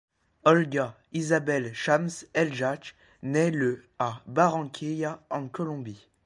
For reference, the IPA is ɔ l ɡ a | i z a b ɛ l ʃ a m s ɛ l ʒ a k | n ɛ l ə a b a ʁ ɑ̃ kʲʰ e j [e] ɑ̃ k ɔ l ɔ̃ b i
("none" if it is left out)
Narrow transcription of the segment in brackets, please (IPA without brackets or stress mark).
a